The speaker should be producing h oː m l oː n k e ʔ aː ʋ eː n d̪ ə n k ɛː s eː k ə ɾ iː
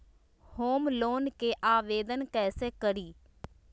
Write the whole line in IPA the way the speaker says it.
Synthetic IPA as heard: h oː m l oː n k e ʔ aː ʋ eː d̪ ə n k ɛː s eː k ə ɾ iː